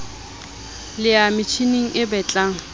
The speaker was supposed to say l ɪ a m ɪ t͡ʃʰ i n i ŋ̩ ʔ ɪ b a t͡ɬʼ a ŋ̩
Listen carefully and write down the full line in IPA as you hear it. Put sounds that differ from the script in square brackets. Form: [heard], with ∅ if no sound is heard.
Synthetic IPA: l ɪ a m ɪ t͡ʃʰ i n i ŋ̩ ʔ ɪ b [ɛ] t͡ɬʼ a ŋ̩